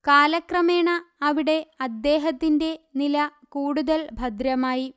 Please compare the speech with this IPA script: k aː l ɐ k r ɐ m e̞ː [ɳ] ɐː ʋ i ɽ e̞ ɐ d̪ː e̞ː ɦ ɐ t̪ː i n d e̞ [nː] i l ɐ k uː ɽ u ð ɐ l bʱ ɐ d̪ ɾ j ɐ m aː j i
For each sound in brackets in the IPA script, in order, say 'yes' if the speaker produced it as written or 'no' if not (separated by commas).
yes, no